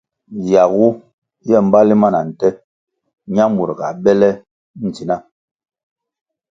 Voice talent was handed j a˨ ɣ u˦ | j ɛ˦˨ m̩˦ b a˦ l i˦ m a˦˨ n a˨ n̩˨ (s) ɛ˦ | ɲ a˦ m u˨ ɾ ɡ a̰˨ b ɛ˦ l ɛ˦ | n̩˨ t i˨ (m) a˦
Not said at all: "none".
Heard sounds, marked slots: t, n

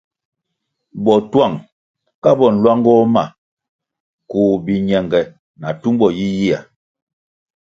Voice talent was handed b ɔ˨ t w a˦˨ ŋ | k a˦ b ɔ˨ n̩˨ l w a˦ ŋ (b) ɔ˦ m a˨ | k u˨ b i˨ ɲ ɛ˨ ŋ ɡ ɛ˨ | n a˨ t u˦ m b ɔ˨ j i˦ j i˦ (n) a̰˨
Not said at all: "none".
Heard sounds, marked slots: ɡ, none

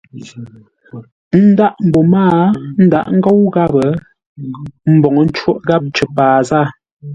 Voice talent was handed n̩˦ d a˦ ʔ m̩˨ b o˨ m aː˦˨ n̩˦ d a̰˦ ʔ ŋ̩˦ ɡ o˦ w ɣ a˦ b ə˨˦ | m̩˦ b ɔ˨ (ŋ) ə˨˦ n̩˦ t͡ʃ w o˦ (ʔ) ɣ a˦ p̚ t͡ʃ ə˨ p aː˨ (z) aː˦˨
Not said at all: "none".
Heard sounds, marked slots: ŋ, ʔ, z

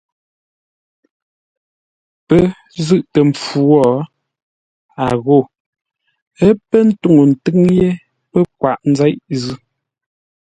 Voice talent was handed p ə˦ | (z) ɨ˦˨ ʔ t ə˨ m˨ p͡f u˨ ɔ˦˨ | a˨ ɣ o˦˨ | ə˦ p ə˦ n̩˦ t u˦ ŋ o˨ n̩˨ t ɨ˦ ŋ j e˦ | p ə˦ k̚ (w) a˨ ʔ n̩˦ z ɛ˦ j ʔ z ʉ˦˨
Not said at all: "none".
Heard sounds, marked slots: z, w

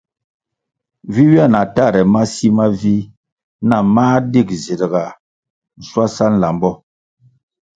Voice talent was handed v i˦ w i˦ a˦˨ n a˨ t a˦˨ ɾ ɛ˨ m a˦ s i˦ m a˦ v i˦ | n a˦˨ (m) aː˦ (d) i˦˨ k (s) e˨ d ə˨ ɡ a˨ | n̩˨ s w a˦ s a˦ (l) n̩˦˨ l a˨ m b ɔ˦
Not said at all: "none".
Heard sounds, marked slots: m, d, z, none

